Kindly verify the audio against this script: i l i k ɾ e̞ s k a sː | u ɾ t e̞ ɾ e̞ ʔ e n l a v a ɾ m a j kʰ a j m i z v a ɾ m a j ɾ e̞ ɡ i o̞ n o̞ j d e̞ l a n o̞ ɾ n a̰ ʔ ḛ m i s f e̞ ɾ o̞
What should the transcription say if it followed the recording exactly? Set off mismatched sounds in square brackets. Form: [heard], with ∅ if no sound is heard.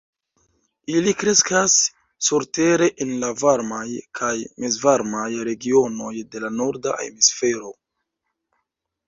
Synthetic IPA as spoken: i l i k ɾ e̞ s k a sː | u ɾ t e̞ ɾ e̞ ʔ e n l a v a ɾ m a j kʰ a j m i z v a ɾ m a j ɾ e̞ ɡ i o̞ n o̞ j d e̞ l a n o̞ ɾ [d] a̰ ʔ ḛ m i s f e̞ ɾ o̞